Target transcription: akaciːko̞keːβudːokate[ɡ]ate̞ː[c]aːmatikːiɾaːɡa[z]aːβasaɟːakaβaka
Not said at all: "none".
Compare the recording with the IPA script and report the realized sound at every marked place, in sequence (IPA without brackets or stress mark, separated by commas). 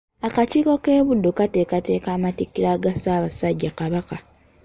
k, k, s